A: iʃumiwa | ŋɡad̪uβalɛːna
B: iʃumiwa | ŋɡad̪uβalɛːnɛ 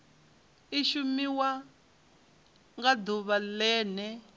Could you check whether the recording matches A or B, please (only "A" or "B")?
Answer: B